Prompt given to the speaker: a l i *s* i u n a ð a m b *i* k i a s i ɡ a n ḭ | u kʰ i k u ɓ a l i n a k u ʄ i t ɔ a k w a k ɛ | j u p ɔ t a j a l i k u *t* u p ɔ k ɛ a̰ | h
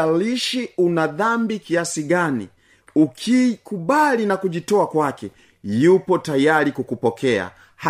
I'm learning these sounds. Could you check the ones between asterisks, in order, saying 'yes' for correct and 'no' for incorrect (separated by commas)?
no, yes, no